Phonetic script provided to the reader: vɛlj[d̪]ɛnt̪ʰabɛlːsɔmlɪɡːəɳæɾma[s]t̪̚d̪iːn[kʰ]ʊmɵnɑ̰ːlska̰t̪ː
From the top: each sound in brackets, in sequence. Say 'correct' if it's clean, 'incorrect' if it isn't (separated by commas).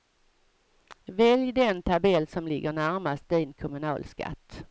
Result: correct, correct, correct